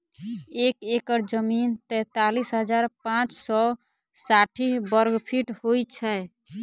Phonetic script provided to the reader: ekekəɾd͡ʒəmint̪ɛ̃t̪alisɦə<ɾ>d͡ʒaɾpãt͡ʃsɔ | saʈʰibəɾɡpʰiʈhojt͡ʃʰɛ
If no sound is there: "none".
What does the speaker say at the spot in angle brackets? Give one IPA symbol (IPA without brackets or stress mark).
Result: none